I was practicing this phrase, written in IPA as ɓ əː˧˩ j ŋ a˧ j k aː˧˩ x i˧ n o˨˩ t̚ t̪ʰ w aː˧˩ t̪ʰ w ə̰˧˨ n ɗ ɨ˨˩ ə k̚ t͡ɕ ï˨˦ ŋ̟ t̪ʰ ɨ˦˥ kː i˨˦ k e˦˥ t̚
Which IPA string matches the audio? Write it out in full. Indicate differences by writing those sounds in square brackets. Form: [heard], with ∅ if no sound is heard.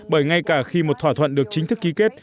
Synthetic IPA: ɓ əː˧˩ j ŋ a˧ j k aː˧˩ x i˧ [m] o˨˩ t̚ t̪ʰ w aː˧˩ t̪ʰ w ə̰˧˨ n ɗ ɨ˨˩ ə k̚ t͡ɕ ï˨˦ ŋ̟ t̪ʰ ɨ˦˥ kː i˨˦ k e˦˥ t̚